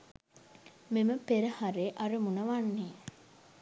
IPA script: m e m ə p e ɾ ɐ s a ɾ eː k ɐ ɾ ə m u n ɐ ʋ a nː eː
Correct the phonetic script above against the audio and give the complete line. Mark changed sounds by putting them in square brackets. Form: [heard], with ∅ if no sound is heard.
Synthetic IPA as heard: m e m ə p e ɾ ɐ [h] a ɾ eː [ʔ] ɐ ɾ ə m u n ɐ ʋ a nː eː